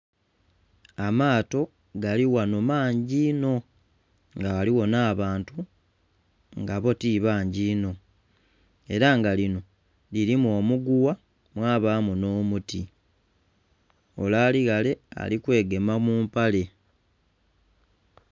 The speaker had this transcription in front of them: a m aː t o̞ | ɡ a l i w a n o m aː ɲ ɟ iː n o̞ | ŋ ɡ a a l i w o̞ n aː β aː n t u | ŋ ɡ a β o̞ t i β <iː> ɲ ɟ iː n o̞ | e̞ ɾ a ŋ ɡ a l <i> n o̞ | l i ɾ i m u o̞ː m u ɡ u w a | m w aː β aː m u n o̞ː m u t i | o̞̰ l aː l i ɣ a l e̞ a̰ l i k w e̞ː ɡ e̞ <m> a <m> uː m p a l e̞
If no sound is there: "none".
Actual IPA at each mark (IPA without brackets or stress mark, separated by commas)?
aː, i, m, m